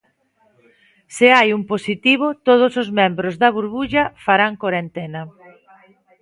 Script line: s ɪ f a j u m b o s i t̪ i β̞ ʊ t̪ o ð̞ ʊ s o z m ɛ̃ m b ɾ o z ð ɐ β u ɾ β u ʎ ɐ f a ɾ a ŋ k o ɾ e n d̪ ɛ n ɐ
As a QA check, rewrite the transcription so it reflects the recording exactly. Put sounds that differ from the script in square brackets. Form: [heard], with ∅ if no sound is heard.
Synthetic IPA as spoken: s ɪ [∅] a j u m [p] o s i t̪ i β̞ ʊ t̪ o ð̞ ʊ s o z m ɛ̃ m b ɾ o z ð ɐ β u ɾ β u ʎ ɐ f a ɾ a ŋ k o ɾ e n [t̪] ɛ n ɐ